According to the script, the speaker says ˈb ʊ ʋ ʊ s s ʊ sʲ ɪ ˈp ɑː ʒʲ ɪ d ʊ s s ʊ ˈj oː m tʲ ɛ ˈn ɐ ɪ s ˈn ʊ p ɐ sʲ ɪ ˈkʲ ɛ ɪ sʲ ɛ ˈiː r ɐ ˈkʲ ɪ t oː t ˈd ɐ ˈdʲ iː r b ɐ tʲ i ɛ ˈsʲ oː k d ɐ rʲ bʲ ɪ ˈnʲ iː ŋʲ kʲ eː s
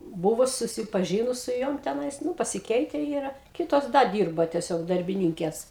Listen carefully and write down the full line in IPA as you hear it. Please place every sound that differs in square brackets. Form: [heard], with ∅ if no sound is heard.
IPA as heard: ˈb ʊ ʋ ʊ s s ʊ sʲ ɪ ˈp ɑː ʒʲ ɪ [n] ʊ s s ʊ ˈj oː m tʲ ɛ ˈn ɐ ɪ s ˈn ʊ p ɐ sʲ ɪ ˈkʲ ɛ ɪ [tʲ] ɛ ˈiː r ɐ ˈkʲ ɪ t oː [s] ˈd ɐ ˈdʲ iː r b ɐ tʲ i ɛ ˈsʲ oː k d ɐ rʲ bʲ ɪ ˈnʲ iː ŋʲ kʲ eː s